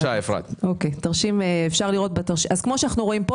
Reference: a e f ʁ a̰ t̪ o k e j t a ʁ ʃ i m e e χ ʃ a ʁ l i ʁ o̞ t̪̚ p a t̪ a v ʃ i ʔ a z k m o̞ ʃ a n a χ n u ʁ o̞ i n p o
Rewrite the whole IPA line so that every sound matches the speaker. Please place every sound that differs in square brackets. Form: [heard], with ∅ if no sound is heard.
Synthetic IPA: a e f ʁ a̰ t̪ o k e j t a ʁ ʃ i m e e [f] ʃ a ʁ l i ʁ o̞ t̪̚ [b] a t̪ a [ʁ] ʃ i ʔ a z k m o̞ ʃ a n a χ n u ʁ o̞ i [m] p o